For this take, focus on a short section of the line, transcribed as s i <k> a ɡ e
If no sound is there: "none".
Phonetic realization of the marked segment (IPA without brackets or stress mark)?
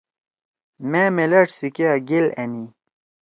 k